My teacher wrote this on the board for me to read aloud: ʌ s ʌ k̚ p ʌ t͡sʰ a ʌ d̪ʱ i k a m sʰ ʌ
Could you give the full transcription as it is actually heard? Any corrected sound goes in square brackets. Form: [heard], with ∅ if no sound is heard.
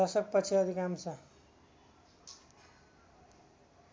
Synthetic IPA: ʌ s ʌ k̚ p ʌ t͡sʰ [i] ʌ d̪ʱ i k a m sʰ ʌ